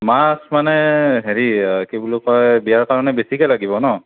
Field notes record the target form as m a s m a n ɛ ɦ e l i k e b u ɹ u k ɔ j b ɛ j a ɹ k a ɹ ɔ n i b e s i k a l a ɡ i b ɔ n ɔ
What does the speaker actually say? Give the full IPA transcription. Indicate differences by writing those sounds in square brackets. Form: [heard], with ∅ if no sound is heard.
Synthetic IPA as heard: m a s m a n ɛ ɦ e [ɹ] i k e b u [l] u k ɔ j b [i] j a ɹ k a ɹ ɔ n [ɛ] b e s i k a l a ɡ i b ɔ n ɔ